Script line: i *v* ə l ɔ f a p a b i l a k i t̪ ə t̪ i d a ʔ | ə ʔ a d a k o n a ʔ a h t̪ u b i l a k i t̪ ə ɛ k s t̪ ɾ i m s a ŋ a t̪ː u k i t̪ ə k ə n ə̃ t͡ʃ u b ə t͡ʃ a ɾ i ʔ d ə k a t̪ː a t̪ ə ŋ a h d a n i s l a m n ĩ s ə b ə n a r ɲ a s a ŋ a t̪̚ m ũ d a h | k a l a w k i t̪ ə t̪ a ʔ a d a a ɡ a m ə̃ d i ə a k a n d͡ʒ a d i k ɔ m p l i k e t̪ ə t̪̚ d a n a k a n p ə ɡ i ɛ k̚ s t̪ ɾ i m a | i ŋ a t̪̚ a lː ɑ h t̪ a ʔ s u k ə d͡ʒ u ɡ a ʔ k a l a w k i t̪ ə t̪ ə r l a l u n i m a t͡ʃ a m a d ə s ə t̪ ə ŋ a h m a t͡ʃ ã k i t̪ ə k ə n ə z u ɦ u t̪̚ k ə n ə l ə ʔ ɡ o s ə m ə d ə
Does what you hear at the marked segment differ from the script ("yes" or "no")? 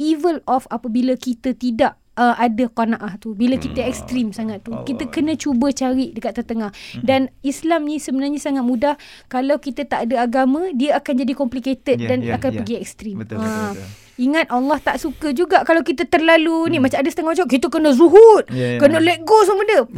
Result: no